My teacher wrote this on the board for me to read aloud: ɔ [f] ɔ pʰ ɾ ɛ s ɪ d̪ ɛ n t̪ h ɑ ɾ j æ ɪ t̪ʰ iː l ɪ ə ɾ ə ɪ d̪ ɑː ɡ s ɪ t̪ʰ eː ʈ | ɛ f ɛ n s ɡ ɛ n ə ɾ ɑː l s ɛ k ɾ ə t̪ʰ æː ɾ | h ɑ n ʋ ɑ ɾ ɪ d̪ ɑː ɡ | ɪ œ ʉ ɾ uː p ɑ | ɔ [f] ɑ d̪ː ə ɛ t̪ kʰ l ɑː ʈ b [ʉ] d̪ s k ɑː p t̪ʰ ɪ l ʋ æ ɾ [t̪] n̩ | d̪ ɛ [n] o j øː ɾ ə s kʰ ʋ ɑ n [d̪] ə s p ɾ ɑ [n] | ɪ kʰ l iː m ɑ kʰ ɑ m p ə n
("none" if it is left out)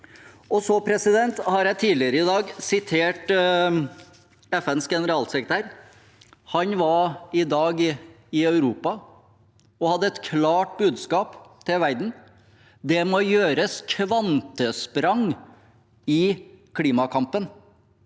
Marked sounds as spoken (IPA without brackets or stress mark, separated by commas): s, h, ʉː, d̪, m, t̪, ŋ